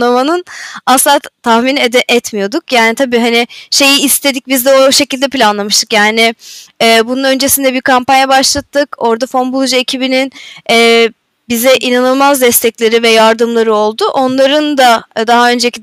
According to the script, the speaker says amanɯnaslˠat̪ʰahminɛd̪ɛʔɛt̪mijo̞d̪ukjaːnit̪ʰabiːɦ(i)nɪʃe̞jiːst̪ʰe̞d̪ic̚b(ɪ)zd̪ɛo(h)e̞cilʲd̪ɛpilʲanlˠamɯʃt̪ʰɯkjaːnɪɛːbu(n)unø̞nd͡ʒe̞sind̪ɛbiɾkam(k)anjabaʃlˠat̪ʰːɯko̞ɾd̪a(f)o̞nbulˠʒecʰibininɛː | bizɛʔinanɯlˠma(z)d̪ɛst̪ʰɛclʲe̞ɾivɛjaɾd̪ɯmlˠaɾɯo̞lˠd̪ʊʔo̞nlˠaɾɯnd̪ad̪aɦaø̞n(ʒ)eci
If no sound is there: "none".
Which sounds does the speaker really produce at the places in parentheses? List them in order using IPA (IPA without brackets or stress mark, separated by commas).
a, i, ʃ, n, p, f, z, d͡ʒ